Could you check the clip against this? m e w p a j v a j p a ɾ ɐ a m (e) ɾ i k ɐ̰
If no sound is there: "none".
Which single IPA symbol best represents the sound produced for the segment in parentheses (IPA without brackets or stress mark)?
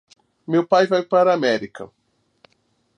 ɛ